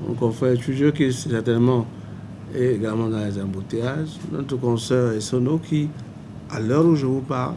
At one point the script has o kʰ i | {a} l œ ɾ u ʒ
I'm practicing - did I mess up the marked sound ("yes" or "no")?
no